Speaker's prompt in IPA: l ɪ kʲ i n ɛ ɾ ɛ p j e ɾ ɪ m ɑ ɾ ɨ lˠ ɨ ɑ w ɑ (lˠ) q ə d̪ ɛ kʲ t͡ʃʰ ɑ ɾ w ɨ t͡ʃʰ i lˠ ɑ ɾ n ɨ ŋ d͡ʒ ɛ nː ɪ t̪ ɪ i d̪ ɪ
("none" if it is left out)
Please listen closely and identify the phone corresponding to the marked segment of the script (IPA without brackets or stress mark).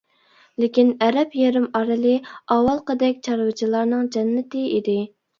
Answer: lˠ